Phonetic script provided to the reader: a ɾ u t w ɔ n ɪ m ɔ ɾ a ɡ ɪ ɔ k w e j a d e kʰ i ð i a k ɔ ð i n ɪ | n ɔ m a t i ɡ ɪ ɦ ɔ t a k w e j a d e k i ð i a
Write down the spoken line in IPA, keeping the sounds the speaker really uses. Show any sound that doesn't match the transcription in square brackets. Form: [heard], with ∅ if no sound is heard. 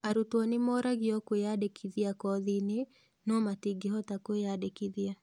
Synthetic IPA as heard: a ɾ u t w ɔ n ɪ m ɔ ɾ a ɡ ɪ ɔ k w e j a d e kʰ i ð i a k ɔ ð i n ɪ | n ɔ m a t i ɡ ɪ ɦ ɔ t a k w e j a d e k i ð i a